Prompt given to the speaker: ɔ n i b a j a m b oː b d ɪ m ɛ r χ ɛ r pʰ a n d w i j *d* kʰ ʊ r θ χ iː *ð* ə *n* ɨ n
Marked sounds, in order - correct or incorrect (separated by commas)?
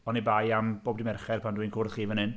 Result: incorrect, incorrect, correct